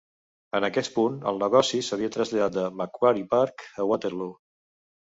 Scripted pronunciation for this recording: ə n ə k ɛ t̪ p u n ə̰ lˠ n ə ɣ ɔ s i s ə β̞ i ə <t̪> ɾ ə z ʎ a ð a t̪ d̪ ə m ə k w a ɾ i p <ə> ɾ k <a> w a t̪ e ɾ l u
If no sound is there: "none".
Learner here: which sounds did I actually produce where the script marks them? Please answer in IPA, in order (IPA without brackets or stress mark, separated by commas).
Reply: t̪, a, ə